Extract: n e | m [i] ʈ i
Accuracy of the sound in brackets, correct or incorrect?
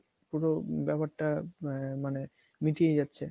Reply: correct